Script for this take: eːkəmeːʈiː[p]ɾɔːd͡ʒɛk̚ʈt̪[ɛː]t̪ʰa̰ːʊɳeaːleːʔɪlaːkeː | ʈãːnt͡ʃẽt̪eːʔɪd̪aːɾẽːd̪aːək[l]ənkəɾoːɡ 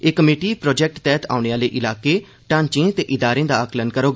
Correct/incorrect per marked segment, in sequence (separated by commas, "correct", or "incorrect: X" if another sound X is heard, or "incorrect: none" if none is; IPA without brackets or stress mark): correct, correct, correct